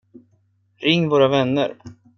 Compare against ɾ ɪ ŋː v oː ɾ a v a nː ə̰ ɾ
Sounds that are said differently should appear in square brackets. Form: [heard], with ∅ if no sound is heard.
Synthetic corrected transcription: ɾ ɪ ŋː v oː ɾ a v [ɛ] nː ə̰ ɾ